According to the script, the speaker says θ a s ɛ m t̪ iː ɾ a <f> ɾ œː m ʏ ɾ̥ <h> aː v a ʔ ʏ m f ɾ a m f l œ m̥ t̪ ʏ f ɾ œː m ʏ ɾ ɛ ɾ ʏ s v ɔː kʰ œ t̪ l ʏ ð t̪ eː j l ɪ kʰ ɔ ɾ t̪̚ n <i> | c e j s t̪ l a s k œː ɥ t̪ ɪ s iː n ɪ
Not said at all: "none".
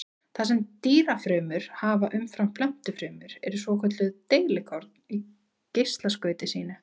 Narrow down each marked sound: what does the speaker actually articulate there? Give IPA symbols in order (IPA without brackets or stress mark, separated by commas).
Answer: f, h, i